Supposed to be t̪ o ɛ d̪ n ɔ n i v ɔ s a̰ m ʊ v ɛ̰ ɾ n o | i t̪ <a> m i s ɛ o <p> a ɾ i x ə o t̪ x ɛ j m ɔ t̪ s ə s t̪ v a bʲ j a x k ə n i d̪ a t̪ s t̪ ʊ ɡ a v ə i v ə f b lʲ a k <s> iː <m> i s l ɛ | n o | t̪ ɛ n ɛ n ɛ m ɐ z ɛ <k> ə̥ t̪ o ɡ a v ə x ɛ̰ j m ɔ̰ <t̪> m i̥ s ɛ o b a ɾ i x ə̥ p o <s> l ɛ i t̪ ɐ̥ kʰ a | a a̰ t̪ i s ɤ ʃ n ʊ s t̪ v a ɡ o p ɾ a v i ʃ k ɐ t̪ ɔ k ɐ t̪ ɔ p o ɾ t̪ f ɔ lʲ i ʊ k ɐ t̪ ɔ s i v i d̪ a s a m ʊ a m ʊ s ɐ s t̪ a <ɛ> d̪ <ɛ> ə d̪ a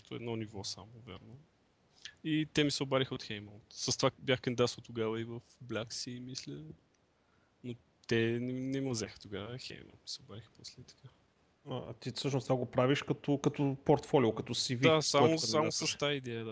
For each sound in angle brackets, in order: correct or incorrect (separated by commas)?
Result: incorrect, incorrect, correct, correct, incorrect, correct, correct, incorrect, correct